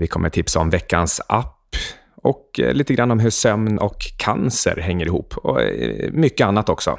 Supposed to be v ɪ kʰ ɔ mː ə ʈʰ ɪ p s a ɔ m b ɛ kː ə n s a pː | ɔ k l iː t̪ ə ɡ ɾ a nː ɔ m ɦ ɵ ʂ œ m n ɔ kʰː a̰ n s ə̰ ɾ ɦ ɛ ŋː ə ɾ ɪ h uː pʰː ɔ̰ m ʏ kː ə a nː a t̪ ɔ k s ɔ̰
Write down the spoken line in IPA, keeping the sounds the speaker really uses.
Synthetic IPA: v ɪ kʰ ɔ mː ə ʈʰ ɪ p s a ɔ m v ɛ kː a n s a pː | ɔ k l iː t̪ ə ɡ ɾ a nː ɔ m ɦ ɵ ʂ œ m n ɔ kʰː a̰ n s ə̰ ɾ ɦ ɛ ŋː ə ɾ ɪ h uː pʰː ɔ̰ m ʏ kː ə a nː a t̪ ɔ k s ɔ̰